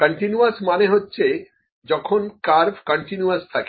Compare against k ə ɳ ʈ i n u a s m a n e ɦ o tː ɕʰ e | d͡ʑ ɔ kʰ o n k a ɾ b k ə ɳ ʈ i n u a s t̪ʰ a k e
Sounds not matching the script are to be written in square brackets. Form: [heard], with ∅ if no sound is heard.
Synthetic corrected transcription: k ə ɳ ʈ i n u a s m a n e ɦ o tː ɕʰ e | d͡ʑ ɔ kʰ o n k a ɾ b k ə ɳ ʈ i n u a s t̪ʰ a k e